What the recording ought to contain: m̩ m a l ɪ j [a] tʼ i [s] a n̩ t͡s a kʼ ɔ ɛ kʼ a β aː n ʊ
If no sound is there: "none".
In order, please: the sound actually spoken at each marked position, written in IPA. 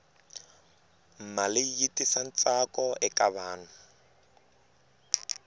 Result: i, s

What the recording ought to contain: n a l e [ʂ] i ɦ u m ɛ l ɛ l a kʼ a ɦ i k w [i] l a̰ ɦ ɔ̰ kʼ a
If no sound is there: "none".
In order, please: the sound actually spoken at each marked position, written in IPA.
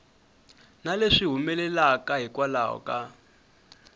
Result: ʂ, a

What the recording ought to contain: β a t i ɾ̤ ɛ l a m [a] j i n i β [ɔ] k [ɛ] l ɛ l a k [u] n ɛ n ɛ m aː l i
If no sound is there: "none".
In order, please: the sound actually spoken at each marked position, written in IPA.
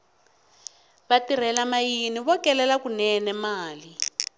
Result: a, ɔ, ɛ, u

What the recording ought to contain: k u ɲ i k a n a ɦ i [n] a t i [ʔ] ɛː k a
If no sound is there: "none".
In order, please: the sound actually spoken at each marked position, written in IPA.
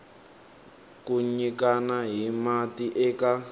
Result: m, ʔ

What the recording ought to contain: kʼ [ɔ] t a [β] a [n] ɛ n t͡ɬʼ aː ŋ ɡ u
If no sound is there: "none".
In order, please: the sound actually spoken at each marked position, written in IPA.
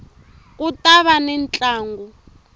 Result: u, β, n

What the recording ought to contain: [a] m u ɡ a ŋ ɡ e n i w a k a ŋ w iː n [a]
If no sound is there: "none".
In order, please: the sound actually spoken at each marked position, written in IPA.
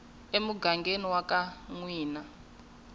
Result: e, a

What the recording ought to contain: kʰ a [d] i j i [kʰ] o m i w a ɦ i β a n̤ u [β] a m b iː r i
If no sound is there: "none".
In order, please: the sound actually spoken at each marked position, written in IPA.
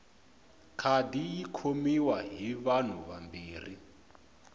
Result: d, kʰ, β

